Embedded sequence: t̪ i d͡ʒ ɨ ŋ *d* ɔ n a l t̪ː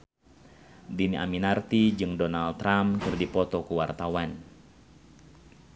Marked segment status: correct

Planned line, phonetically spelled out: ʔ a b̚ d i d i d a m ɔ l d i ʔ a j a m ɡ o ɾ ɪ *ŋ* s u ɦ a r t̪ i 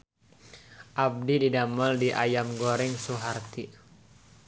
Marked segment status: correct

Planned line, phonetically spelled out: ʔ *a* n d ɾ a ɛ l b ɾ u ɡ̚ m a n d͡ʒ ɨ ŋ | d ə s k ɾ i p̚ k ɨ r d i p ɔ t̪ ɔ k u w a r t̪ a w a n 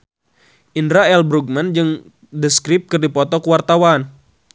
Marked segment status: incorrect: i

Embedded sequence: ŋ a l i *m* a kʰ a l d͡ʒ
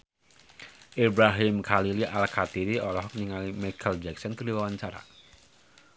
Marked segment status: correct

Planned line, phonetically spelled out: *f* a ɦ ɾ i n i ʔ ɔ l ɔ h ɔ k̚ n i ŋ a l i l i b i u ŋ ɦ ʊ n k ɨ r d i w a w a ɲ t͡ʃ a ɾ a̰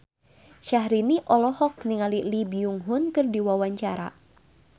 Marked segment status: incorrect: ʃ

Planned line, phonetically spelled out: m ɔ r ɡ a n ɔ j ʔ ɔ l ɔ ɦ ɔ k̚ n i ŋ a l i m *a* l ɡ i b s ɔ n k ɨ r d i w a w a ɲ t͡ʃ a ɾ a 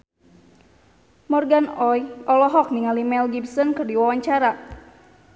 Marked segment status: incorrect: ɛ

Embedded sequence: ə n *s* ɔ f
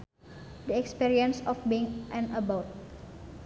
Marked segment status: correct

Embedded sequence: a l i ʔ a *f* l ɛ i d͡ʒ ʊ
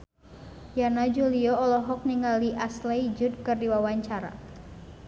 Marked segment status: incorrect: s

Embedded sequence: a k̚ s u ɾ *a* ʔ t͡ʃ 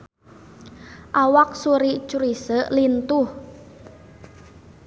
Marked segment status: incorrect: i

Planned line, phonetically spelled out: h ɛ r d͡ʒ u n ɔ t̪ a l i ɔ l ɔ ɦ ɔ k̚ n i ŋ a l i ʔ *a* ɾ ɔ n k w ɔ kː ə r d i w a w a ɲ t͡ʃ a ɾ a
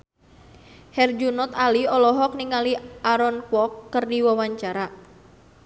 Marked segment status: correct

